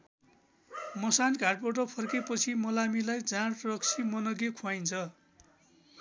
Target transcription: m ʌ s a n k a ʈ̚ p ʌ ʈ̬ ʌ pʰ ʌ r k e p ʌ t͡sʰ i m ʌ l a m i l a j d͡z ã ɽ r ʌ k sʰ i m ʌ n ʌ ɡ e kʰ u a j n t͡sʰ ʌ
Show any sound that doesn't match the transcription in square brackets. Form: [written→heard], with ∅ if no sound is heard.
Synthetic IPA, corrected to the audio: m ʌ s a n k a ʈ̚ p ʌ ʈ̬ ʌ pʰ ʌ r k e p ʌ t͡sʰ i m ʌ l a m i l a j d͡z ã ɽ r ʌ k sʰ i m ʌ n ʌ ɡ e kʰ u a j n t͡sʰ ʌ

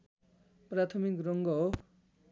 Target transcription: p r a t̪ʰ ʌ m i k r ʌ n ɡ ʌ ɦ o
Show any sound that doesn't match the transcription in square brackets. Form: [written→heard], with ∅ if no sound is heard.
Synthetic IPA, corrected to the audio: p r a t̪ʰ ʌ m i k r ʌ [n→ŋ] ɡ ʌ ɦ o

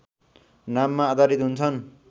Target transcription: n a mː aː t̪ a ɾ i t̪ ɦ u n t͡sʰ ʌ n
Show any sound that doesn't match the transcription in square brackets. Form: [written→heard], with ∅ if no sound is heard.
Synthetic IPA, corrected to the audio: n a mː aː [t̪→d̪] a ɾ i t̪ ɦ u n t͡sʰ ʌ n

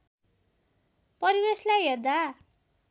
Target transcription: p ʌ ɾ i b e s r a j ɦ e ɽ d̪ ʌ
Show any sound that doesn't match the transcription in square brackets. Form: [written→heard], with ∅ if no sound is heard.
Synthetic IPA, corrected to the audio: p ʌ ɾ i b e s [r→l] a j ɦ e [ɽ→r] d̪ [ʌ→a]

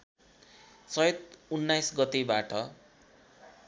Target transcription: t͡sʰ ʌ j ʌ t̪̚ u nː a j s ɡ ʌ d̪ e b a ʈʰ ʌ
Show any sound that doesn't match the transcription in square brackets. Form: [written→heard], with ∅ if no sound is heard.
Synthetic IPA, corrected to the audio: [t͡sʰ→t͡s] ʌ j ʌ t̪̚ u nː a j s ɡ ʌ [d̪→t̪] e b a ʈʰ ʌ

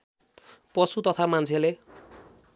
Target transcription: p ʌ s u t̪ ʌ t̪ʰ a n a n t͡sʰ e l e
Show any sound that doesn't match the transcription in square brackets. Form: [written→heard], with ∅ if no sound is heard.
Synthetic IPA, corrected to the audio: p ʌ s u t̪ ʌ t̪ʰ a [n→m] a n t͡sʰ e l e

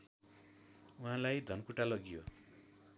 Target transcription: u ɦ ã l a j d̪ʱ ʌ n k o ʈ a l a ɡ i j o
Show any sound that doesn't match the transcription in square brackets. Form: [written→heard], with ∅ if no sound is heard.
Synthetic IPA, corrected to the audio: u ɦ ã l a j d̪ʱ ʌ n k [o→u] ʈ a l [a→ʌ] ɡ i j o

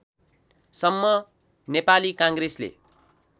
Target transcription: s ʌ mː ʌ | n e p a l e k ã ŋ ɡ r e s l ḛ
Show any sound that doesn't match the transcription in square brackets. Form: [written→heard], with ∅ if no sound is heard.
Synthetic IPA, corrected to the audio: s ʌ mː ʌ | n e p a l [e→i] k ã ŋ ɡ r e s l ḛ

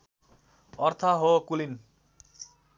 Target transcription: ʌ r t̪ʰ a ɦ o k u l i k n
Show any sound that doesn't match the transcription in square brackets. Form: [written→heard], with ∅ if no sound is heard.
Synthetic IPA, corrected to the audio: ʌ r t̪ʰ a ɦ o k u l i [k→∅] n

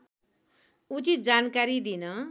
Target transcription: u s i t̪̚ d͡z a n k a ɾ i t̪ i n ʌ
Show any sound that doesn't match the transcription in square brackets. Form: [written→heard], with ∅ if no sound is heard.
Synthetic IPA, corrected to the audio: u [s→t͡s] i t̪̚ d͡z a n k a ɾ i [t̪→d̪] i n ʌ

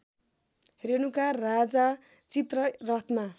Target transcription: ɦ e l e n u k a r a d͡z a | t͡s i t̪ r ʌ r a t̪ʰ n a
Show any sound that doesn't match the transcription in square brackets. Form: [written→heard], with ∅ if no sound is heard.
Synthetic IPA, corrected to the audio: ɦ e [l→ɾ] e n u k a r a d͡z a | t͡s i t̪ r ʌ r [a→ʌ] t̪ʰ [n→m] a

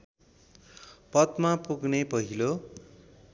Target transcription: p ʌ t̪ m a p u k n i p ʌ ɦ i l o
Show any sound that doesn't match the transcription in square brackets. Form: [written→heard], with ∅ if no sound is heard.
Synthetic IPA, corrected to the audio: p ʌ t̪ m a p u [k→ɡ] n [i→e] p ʌ ɦ i l o

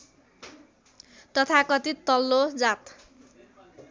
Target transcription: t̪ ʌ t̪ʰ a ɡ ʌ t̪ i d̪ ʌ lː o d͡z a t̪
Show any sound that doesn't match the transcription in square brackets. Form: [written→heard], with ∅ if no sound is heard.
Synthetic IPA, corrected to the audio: t̪ ʌ t̪ʰ a [ɡ→k] ʌ t̪ i [d̪→t̪] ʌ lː o d͡z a t̪

